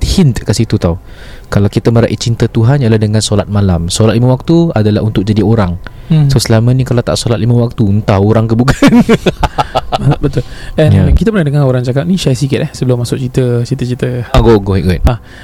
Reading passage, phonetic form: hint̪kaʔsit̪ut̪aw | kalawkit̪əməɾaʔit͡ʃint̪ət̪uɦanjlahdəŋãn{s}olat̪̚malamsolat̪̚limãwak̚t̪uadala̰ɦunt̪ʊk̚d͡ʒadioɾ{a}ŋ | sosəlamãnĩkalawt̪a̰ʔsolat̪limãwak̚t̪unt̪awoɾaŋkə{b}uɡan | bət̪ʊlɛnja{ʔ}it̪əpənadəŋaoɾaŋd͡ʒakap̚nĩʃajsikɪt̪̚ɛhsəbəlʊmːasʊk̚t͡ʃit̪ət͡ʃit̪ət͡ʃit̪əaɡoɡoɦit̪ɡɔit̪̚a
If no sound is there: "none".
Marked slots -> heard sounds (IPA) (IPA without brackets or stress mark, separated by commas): s, a, b, k